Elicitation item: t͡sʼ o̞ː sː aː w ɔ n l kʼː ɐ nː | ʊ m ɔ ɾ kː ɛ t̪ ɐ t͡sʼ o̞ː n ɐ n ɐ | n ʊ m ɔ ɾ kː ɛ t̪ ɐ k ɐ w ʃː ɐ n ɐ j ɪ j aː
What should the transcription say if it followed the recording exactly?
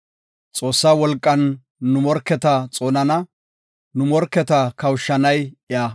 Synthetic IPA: t͡sʼ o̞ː sː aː w ɔ l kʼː ɐ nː | ʊ m ɔ ɾ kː ɛ t̪ ɐ t͡sʼ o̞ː n ɐ n ɐ | n ʊ m ɔ ɾ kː ɛ t̪ ɐ k ɐ w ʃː ɐ n ɐ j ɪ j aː